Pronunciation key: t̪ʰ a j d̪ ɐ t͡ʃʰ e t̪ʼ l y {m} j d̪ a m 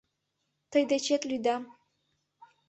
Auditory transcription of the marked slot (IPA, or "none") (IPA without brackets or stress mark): none